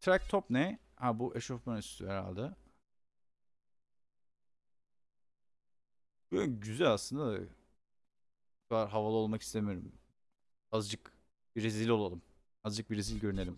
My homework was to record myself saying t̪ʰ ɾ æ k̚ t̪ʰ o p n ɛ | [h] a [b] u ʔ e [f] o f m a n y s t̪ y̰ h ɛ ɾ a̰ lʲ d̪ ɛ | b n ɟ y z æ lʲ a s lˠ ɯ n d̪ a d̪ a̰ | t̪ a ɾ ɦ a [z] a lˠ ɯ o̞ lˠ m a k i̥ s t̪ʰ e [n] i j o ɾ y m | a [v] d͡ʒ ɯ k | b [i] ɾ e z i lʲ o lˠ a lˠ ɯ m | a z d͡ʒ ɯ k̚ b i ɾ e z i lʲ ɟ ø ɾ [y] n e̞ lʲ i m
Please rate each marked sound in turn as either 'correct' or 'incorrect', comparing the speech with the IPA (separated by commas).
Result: correct, correct, incorrect, incorrect, incorrect, incorrect, correct, correct